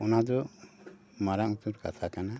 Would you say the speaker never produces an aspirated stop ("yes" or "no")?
no